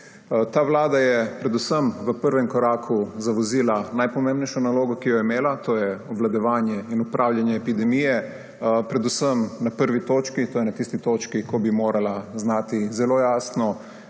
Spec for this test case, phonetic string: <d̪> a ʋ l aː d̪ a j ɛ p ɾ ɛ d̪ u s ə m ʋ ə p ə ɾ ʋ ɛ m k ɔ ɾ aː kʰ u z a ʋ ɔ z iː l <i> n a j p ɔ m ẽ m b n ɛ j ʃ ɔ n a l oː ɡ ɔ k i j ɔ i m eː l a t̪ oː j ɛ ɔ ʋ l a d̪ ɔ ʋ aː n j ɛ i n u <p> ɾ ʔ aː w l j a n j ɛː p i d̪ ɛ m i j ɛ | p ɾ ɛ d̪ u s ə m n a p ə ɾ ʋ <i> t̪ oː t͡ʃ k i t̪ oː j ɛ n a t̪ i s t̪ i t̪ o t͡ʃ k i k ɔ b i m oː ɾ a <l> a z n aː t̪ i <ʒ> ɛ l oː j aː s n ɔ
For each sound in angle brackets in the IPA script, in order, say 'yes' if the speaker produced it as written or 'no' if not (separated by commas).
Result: no, no, yes, yes, yes, no